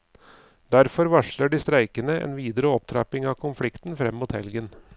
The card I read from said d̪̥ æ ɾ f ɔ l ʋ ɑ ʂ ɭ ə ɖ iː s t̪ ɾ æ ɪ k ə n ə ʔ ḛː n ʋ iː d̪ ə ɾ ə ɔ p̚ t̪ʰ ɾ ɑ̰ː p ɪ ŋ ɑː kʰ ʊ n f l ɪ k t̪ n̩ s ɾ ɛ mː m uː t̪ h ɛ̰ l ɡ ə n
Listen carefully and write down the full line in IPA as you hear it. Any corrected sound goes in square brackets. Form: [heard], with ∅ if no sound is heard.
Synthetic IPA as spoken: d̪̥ æ ɾ f ɔ [ɾ] ʋ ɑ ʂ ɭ ə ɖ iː s t̪ ɾ æ ɪ k ə n ə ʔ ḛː n ʋ iː d̪ ə ɾ ə ɔ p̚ t̪ʰ ɾ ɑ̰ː p ɪ ŋ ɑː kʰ ʊ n f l ɪ k t̪ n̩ [f] ɾ ɛ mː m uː t̪ h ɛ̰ l ɡ ə n